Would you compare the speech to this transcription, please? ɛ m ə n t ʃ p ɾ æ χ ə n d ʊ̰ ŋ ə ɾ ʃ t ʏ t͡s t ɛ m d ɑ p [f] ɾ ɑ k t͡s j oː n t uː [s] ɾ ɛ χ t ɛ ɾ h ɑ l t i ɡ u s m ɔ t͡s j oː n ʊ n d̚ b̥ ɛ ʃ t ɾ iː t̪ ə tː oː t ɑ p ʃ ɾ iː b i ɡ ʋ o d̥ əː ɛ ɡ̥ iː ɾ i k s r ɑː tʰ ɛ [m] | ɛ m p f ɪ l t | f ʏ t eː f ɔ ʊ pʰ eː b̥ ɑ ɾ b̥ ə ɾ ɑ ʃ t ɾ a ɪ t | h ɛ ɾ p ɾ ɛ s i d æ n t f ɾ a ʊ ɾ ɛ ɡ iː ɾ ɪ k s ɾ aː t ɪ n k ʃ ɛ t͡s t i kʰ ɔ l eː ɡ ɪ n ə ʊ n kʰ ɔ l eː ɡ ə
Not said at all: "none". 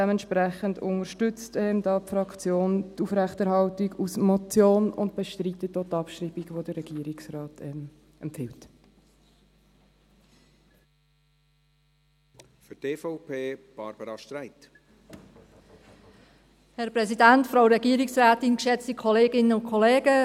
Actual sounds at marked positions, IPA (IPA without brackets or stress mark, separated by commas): f, f, m